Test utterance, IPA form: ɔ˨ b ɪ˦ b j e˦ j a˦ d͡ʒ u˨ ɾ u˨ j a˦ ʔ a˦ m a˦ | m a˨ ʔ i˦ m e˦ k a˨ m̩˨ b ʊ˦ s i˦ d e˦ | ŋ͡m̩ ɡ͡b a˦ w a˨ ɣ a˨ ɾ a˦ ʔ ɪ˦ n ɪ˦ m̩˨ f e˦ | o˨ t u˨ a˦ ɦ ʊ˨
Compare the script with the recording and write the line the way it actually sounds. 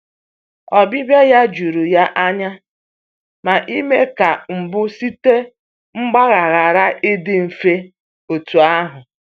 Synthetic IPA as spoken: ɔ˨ b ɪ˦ b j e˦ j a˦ d͡ʒ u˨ ɾ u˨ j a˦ ʔ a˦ ɲ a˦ | m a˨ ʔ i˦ m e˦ k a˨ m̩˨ b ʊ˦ s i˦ t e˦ | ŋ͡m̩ ɡ͡b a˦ ɣ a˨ ɣ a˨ ɾ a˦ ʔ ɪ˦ d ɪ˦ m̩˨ f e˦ | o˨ t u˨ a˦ ɦ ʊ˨

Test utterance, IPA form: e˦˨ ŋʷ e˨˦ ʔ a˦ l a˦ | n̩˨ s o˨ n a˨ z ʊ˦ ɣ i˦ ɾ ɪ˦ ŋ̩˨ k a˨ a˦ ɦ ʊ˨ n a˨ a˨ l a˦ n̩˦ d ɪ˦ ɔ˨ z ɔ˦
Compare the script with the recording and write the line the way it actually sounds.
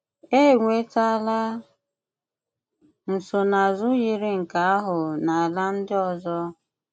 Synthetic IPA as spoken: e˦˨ ŋʷ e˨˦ t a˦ l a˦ | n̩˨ s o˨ n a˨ z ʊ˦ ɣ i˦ ɾ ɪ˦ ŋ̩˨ k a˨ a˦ ɦ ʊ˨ n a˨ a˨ l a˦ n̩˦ d ɪ˦ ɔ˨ z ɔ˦

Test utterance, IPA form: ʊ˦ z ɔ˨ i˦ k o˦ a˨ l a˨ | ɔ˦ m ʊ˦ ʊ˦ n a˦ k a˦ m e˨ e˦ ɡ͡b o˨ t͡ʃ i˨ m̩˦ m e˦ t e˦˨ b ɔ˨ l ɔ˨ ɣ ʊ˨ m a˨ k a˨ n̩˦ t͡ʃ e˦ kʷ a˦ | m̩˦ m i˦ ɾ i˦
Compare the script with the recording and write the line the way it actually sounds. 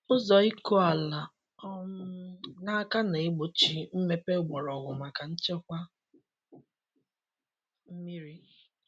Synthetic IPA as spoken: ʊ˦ z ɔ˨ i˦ k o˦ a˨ l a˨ | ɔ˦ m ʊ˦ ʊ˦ n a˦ k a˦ n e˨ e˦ ɡ͡b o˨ t͡ʃ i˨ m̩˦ m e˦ p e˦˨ ɡ͡b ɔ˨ ɾ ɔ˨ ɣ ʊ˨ m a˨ k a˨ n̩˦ t͡ʃ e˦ kʷ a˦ | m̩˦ m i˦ ɾ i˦

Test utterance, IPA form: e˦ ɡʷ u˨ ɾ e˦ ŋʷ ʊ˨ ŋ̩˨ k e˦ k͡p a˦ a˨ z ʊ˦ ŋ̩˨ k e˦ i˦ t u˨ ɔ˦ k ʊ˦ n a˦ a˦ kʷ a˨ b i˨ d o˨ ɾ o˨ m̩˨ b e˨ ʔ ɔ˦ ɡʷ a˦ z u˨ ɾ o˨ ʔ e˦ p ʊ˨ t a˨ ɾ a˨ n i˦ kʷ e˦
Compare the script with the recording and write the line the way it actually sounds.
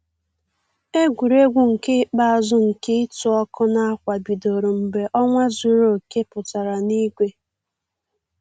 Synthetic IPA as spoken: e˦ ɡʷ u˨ ɾ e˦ ɡʷ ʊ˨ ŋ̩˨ k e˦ k͡p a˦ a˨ z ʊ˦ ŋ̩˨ k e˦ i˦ t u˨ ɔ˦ k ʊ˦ n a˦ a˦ kʷ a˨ b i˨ d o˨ ɾ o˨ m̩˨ b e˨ ʔ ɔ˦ ŋʷ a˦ z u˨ ɾ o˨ k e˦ p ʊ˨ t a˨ ɾ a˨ n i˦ ɡʷ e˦

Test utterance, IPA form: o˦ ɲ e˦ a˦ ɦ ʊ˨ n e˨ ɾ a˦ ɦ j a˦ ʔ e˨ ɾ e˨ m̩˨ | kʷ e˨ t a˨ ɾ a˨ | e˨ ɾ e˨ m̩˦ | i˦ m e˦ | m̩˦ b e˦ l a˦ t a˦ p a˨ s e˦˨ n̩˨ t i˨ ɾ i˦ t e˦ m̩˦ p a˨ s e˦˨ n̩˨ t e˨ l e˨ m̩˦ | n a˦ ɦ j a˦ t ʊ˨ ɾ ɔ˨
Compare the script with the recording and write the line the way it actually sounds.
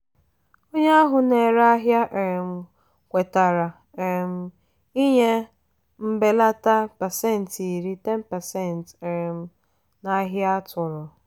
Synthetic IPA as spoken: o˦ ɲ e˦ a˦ ɦ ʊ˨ n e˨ ɾ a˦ ɦ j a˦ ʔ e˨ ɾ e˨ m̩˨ | kʷ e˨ t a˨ ɾ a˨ | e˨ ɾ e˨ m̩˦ | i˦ ɲ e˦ | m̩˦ b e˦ l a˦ t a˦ p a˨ s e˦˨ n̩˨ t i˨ ɾ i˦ t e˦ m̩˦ p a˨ s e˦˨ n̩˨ t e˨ ɾ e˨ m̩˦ | n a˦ ɦ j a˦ t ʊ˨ ɾ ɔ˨

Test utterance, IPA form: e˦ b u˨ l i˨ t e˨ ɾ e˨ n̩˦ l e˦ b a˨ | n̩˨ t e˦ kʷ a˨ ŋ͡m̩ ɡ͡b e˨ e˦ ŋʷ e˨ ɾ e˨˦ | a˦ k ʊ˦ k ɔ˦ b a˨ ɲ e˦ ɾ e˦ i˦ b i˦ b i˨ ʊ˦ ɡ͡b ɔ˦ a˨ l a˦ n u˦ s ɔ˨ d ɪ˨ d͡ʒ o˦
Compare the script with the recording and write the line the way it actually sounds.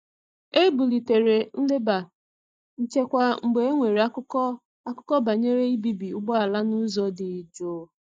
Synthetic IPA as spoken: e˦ b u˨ l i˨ t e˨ ɾ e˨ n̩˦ l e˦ b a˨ | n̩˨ t͡ʃ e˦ kʷ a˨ ŋ͡m̩ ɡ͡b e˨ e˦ ŋʷ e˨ ɾ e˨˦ | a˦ k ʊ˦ k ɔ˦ b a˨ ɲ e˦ ɾ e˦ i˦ b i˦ b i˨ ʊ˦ ɡ͡b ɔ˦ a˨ l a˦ n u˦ z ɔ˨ d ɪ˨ d͡ʒ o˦

